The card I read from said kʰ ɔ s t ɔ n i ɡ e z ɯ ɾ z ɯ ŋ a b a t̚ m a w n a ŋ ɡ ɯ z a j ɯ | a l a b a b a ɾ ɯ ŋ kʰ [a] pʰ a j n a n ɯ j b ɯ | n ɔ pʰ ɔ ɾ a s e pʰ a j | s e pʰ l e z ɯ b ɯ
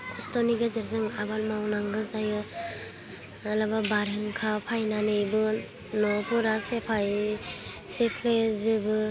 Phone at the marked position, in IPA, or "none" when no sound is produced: a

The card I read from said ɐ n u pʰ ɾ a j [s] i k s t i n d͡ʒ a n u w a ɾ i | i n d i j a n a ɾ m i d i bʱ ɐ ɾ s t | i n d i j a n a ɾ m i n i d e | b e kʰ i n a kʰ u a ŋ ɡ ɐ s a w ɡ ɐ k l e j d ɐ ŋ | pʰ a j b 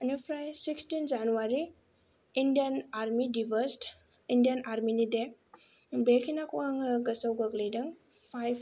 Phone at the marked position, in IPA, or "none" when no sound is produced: s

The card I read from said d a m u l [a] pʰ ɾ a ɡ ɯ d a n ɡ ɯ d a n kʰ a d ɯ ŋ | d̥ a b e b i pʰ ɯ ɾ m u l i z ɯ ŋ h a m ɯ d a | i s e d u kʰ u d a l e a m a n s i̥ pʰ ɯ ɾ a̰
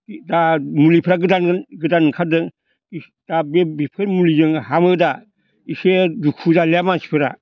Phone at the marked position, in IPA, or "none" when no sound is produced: i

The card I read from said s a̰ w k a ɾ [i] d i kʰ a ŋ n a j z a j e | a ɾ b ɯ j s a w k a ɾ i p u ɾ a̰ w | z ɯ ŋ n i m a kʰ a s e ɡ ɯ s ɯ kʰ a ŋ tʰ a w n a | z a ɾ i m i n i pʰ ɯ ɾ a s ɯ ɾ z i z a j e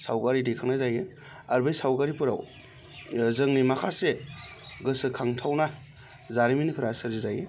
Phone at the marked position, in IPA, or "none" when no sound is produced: i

